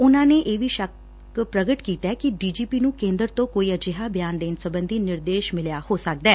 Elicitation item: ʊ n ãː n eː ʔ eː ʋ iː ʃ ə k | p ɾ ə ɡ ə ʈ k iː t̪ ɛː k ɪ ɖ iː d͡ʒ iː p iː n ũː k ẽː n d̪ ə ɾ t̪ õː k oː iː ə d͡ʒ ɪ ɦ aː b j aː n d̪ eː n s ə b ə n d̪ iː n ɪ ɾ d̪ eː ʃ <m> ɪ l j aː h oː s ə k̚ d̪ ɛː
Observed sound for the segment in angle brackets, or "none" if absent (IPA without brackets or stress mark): m